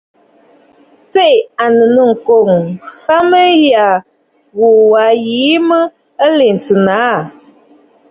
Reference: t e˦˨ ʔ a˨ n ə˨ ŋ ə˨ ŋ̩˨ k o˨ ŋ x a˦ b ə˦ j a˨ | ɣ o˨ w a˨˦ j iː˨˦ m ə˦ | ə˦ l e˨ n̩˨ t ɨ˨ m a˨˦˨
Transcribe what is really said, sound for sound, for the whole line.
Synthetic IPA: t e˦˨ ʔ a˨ n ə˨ n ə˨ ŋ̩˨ k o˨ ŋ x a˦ m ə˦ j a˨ | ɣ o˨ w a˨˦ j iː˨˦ m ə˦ | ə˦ l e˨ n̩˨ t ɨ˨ n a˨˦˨